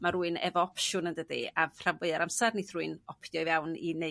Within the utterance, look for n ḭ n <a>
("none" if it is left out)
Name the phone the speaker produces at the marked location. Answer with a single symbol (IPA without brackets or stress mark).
e